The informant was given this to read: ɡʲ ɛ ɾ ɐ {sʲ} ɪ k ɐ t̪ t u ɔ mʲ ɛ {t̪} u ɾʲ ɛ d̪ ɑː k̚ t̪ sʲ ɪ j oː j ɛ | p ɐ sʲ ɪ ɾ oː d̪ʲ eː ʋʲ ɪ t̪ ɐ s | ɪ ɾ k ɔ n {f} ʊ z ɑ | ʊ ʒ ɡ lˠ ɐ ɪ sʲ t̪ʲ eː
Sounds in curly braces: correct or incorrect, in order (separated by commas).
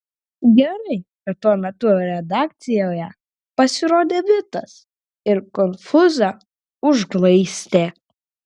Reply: incorrect, correct, correct